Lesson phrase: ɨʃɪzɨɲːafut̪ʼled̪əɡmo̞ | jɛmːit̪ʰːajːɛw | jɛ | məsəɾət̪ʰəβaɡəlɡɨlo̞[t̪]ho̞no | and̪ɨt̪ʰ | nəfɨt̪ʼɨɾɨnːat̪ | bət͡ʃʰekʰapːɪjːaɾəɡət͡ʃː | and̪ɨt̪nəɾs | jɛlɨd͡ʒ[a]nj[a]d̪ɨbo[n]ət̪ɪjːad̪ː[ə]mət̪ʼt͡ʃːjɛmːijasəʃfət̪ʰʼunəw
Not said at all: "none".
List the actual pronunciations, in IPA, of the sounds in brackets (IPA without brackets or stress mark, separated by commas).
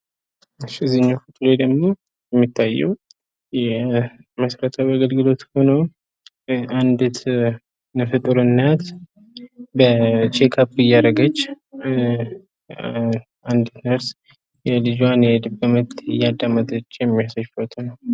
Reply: t̪, a, ɛ, m, a